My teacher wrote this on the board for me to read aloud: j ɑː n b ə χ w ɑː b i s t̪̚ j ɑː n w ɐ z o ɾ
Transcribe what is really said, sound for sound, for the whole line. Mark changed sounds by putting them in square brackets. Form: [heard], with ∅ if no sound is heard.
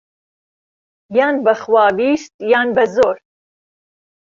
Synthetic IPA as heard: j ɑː n b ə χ w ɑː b i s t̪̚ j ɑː n [b] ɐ z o ɾ

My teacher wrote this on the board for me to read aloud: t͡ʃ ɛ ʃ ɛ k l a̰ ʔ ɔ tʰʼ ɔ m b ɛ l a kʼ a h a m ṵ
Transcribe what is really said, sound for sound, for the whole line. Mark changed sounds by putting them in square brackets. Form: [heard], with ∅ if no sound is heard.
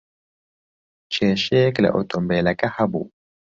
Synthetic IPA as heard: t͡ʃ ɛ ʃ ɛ k l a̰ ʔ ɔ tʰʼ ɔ m b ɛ l a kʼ a h a [b] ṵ

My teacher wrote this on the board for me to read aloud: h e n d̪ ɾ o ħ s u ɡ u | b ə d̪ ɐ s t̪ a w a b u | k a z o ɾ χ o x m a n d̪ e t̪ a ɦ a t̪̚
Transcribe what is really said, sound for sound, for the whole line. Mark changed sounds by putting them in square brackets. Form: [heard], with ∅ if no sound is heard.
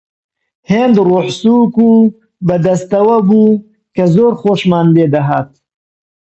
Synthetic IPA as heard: h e n d̪ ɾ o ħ s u [k] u | b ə d̪ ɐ s t̪ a w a b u | k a z o ɾ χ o [ʃ] m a n d̪ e [d̪] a ɦ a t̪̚

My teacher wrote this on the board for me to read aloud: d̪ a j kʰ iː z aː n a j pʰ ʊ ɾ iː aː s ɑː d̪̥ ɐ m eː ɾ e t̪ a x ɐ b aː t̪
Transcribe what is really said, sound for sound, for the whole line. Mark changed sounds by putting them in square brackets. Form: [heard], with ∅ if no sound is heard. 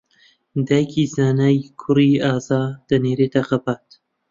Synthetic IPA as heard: d̪ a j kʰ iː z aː n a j [kʰ] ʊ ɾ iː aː [z] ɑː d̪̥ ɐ [n] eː ɾ e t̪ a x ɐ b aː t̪

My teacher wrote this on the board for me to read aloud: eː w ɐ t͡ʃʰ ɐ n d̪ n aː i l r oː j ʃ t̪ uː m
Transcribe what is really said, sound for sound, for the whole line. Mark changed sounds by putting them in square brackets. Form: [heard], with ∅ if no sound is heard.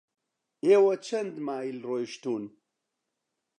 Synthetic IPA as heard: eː w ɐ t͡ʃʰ ɐ n d̪ [m] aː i l r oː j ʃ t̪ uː [n]

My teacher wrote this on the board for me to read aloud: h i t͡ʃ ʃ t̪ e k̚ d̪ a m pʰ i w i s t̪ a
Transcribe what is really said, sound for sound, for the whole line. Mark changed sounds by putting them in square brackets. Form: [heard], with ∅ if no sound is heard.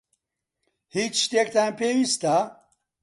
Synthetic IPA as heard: h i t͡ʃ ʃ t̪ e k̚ [t̪] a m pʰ [e] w i s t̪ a

